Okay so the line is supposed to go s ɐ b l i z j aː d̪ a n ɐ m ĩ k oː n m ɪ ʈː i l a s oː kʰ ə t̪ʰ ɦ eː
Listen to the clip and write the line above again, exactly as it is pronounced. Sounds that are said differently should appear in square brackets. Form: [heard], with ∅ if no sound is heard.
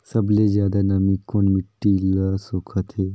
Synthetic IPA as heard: s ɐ b l [e] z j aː d̪ a n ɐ m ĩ k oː n m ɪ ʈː i l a s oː kʰ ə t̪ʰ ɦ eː